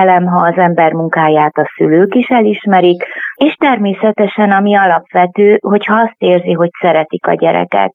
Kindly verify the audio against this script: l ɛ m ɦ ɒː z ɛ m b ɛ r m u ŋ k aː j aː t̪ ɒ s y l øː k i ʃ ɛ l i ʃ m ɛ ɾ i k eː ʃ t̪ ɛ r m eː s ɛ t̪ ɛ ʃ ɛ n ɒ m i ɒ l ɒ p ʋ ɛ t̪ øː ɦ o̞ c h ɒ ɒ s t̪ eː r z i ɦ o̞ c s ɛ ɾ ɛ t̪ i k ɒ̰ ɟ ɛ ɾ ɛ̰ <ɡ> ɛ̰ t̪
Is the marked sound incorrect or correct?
incorrect